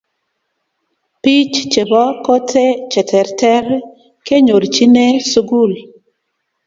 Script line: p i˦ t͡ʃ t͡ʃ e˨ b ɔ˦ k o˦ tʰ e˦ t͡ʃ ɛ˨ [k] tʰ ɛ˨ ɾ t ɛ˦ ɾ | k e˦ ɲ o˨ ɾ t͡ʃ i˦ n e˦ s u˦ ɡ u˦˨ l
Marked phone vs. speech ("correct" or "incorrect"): incorrect